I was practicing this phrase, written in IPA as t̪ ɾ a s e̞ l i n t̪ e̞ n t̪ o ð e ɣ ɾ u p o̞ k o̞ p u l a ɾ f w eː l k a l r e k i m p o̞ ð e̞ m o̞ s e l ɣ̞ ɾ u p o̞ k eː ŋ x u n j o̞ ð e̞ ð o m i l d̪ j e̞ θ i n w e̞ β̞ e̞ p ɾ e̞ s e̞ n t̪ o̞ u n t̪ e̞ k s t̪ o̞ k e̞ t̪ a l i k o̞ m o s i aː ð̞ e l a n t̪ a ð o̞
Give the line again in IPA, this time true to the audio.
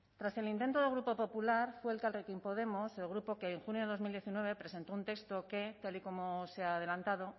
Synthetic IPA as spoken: t̪ ɾ a s e̞ l i n t̪ e̞ n t̪ o ð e ɣ ɾ u p o̞ p o̞ p u l a ɾ f w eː l k a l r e k i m p o̞ ð e̞ m o̞ s e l ɣ̞ ɾ u p o̞ k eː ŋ x u n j o̞ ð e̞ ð o m i l d̪ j e̞ θ i n w e̞ β̞ e̞ p ɾ e̞ s e̞ n t̪ o̞ u n t̪ e̞ k s t̪ o̞ k e̞ t̪ a l i k o̞ m o s e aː ð̞ e l a n t̪ a ð o̞